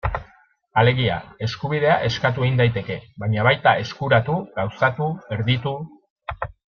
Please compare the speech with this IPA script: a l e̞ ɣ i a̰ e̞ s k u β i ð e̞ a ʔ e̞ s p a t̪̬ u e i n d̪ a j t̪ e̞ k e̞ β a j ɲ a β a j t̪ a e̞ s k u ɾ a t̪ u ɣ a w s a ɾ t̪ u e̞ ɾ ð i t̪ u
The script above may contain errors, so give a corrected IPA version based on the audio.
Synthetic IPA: a l e̞ ɣ i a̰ e̞ s k u β i ð e̞ a ʔ e̞ s k a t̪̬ u e i n d̪ a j t̪ e̞ k e̞ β a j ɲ a β a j t̪ a e̞ s k u ɾ a t̪ u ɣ a w s a t̪ u e̞ ɾ ð i t̪ u